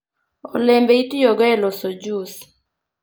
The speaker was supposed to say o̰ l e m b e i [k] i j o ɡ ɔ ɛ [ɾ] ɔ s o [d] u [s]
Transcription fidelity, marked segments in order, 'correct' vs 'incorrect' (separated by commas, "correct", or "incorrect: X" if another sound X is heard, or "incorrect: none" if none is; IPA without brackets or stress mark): incorrect: t, incorrect: l, incorrect: d͡ʒ, correct